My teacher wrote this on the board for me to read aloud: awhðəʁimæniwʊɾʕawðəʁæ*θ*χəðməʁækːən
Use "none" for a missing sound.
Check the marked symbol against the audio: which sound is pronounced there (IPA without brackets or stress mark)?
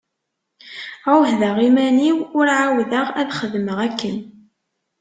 ð